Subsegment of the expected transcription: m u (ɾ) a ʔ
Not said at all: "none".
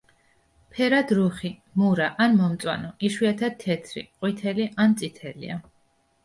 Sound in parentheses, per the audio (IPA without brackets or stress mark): ɾ